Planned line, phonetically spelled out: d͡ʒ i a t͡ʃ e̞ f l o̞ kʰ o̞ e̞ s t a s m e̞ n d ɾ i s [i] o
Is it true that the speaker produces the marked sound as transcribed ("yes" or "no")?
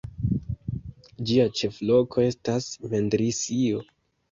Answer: yes